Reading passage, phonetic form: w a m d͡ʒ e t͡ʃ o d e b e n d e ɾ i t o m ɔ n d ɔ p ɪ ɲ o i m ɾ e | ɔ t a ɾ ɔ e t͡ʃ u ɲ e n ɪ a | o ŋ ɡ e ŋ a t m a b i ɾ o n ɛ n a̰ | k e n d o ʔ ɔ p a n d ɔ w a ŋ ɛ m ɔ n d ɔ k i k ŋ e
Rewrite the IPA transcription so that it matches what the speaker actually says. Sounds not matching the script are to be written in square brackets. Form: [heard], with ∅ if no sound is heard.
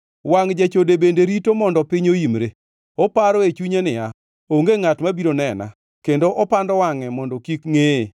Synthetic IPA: w a [ŋ] d͡ʒ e t͡ʃ o d e b e n d e ɾ i t o m ɔ n d ɔ p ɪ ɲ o i m ɾ e | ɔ [p] a ɾ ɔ e t͡ʃ u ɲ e n ɪ a | o ŋ ɡ e ŋ a t m a b i ɾ o n ɛ n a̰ | k e n d o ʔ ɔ p a n d ɔ w a ŋ ɛ m ɔ n d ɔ k i k ŋ e